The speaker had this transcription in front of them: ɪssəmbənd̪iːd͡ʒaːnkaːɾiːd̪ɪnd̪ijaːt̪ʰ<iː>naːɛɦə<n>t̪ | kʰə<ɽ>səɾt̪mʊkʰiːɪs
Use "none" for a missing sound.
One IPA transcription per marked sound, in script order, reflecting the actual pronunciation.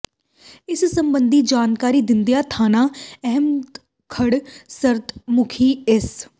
aː, m, ɽ

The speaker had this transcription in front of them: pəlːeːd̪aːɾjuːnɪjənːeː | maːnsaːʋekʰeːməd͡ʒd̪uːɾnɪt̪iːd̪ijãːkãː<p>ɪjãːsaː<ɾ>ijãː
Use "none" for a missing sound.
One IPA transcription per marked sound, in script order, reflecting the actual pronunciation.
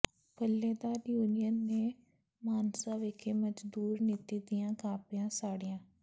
p, ɽ

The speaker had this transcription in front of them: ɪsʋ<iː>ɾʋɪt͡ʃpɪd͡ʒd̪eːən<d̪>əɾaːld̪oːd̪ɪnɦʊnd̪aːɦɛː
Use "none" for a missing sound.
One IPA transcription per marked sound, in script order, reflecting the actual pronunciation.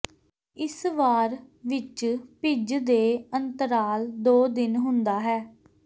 aː, t̪

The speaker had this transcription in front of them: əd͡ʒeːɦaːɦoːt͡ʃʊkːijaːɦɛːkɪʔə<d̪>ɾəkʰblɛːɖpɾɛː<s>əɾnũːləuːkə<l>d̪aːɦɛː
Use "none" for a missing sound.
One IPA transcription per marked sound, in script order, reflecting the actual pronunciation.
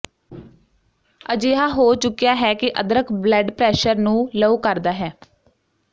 d̪, ʃ, ɾ

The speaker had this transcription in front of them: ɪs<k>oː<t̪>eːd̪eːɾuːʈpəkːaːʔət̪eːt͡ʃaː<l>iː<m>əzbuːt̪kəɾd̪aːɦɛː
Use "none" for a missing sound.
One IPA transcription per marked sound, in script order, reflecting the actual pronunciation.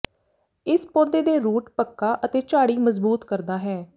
p, d̪, ɽ, m

